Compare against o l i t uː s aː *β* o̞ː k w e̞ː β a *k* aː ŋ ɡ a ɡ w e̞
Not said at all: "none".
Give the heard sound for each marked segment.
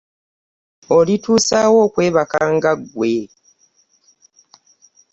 w, k

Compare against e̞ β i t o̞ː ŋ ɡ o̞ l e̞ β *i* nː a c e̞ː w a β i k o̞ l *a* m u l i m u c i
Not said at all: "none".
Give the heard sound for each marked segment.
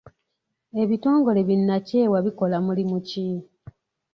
i, a

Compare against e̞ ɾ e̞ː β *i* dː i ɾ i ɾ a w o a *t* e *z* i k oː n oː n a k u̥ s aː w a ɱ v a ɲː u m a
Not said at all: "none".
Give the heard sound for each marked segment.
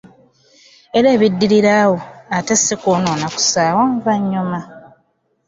i, t, s

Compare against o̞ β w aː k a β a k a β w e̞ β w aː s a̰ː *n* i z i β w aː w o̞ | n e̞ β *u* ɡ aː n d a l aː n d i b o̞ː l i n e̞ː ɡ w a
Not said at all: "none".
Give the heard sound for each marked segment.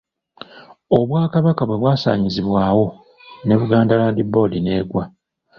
ɲ, u

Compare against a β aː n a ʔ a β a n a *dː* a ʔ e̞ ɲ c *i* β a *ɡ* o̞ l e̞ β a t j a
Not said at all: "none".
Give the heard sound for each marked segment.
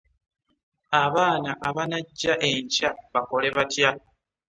ɟː, a, k

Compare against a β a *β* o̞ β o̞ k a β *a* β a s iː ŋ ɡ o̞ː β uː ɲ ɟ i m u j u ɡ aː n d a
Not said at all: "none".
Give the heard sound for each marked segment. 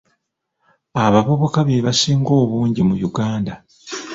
β, e

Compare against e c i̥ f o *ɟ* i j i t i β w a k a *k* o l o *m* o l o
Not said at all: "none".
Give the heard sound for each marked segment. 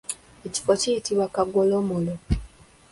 c, ɡ, m

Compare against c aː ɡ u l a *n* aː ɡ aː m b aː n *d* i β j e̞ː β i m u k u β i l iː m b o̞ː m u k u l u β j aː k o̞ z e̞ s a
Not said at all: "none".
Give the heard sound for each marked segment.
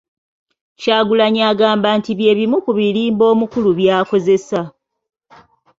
ɲ, t

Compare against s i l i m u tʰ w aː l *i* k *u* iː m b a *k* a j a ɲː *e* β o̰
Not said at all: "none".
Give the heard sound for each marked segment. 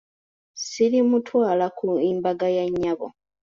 a, u, ɡ, a

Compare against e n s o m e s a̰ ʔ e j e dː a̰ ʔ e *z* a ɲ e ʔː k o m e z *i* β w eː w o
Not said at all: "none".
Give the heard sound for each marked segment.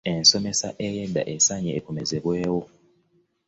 s, e

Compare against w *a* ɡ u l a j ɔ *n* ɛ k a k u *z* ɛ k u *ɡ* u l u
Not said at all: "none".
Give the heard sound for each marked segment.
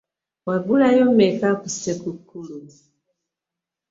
a, m, s, k

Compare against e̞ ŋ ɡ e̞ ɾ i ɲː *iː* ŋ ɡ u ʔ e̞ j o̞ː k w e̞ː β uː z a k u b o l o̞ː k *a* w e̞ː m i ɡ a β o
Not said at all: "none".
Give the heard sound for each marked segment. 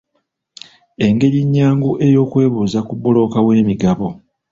aː, a

